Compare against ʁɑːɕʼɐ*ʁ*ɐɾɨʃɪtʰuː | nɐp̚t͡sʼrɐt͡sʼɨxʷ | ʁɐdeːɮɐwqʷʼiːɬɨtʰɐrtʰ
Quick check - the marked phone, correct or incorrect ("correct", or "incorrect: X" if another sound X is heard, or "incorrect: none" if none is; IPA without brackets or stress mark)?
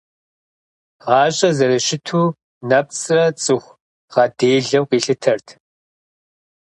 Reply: incorrect: z